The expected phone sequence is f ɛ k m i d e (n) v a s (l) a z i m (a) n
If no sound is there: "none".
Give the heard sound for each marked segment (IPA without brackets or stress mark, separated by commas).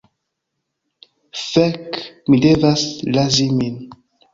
none, l, i